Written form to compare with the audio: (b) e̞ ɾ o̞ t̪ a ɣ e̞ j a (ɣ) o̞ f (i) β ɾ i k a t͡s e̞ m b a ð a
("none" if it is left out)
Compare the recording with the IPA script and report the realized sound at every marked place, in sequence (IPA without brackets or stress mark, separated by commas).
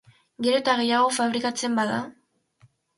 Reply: ɡ, ɣ, a